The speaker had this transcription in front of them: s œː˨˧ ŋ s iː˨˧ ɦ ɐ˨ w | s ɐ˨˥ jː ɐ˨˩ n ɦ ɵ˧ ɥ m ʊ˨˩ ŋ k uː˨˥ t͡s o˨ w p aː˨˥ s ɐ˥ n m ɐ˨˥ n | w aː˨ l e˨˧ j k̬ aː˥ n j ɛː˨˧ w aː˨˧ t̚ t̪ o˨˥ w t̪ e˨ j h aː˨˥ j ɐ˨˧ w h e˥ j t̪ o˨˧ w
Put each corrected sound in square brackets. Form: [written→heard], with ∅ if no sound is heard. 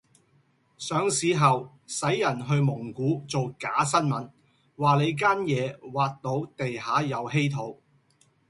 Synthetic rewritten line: s œː˨˧ ŋ s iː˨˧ ɦ ɐ˨ w | s ɐ˨˥ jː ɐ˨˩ n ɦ ɵ˧ ɥ m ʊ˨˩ ŋ k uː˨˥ t͡s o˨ w [p→k] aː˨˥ s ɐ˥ n m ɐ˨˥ n | w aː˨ l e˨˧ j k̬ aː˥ n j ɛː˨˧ w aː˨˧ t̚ t̪ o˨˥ w t̪ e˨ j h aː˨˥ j ɐ˨˧ w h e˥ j [t̪→t̪ʰ] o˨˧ w